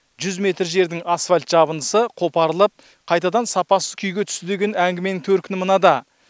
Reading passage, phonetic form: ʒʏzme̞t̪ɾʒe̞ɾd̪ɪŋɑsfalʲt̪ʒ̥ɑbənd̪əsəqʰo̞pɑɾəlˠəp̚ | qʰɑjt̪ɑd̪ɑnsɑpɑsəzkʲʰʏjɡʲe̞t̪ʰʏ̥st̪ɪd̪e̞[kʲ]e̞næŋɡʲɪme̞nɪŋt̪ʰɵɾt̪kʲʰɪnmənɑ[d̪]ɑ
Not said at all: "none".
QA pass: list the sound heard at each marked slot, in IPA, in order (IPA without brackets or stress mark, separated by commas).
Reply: ɡʲ, d̪